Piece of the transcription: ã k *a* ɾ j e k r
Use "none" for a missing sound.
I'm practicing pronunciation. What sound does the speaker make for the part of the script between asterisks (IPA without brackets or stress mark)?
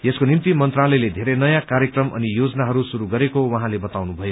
a